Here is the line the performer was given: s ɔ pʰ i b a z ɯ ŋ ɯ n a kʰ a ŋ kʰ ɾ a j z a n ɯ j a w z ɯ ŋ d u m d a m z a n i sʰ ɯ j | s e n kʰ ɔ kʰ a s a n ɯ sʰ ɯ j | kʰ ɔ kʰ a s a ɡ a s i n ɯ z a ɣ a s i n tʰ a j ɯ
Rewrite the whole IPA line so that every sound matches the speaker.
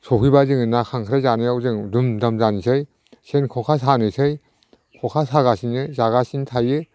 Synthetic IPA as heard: s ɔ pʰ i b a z ɯ ŋ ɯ n a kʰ a ŋ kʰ ɾ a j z a n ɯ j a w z ɯ ŋ d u m d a m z a n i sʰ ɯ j | s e n kʰ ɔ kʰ a s a n ɯ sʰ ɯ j | kʰ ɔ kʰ a s a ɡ a s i n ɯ z a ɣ a s i n tʰ a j ɯ